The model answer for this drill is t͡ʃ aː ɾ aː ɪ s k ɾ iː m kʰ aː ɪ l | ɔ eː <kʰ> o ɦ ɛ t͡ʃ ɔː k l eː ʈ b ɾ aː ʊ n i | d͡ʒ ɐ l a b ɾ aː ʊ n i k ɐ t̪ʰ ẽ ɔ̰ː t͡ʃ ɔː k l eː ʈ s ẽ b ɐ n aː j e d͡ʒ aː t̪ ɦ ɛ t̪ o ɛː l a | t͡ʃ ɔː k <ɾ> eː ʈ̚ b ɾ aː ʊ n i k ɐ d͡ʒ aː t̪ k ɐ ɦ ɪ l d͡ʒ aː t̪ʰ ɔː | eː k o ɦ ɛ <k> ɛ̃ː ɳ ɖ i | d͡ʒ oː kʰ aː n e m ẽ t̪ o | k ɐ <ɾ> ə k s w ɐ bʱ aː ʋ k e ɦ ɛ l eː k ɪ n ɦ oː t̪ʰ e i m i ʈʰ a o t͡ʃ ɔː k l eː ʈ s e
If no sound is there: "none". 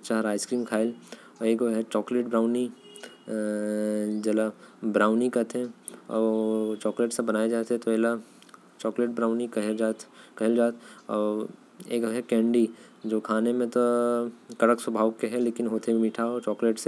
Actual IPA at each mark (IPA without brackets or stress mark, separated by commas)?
k, l, k, ɽ